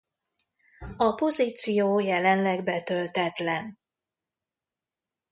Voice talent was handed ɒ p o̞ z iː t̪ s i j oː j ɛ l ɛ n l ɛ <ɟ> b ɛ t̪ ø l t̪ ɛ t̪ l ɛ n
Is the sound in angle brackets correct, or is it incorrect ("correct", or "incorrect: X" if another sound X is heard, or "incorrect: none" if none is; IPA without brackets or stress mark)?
incorrect: ɡ